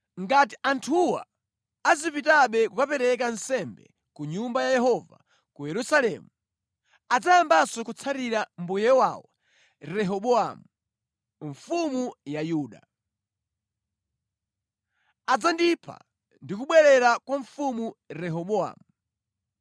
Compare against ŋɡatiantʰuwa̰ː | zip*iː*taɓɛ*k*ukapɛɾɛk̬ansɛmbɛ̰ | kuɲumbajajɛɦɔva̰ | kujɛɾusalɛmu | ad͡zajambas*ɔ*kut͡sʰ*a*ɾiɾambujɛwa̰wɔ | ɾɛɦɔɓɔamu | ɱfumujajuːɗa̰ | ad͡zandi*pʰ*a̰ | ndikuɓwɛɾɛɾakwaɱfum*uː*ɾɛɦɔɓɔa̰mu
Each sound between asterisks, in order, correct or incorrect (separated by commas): incorrect, correct, correct, correct, correct, incorrect